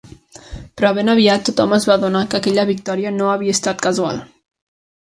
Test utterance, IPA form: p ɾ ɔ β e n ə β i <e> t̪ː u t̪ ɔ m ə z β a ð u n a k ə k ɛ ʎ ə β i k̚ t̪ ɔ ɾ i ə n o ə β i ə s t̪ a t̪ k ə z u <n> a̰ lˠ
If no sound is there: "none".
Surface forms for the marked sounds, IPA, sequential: a, none

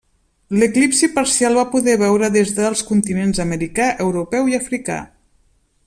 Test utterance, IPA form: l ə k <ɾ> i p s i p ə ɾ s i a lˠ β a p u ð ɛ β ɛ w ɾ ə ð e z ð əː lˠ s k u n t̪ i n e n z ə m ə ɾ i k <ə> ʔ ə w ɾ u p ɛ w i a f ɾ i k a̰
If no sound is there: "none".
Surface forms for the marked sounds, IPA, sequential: l, a

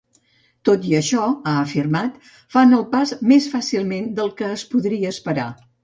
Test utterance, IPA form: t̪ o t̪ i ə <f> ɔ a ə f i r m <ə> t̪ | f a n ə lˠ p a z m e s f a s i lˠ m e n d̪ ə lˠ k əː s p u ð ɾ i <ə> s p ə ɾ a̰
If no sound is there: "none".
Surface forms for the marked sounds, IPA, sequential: ʃ, a, əː

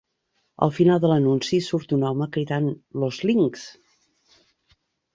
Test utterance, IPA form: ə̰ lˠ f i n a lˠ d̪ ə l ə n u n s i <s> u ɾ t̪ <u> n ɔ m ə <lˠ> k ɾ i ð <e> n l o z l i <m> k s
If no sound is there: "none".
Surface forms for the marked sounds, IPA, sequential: s, u, none, a, ŋ

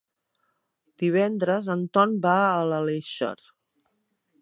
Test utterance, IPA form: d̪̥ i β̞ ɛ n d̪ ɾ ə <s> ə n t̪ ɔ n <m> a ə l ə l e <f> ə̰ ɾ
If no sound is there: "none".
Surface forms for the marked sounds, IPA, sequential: z, b, ʃ

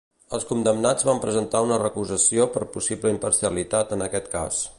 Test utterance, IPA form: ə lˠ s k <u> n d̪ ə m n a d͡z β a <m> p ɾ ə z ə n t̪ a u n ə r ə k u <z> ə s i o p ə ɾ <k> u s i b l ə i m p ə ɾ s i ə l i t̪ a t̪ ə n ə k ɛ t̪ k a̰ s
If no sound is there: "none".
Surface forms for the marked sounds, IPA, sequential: u, m, z, p

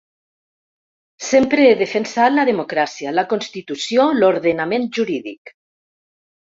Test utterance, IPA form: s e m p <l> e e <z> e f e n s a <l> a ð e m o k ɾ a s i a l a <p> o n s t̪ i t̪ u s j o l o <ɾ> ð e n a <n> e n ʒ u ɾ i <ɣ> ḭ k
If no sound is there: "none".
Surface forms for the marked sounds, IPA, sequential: ɾ, ð, l, k, ɾ, m, ð

